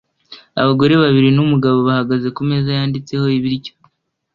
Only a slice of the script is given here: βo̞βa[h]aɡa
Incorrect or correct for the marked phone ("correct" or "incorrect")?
correct